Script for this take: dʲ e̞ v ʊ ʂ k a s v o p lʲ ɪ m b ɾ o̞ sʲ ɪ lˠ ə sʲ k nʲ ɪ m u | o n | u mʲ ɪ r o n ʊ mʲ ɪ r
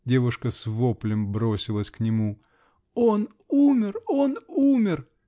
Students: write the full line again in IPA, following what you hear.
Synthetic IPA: dʲ e̞ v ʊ ʂ k ə s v o p lʲ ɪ m b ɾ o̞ sʲ ɪ lˠ ə sʲ k nʲ ɪ m u | o n | u mʲ ɪ r o n u mʲ ɪ r